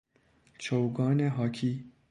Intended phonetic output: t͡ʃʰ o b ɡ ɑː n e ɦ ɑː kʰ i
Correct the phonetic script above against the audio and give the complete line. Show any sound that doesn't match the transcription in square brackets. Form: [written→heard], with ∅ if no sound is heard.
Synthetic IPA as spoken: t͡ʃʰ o [b→w] ɡ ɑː n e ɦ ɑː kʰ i